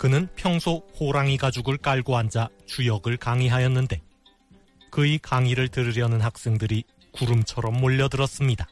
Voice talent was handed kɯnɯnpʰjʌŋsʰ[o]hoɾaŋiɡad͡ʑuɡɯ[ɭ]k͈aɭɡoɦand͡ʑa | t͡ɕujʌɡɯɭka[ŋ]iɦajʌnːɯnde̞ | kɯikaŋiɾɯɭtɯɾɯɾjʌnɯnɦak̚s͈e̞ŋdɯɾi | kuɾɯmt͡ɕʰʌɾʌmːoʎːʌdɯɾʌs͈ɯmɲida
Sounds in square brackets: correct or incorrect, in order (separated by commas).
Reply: correct, correct, correct